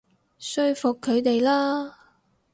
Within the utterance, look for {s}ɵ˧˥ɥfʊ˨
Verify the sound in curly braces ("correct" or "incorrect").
correct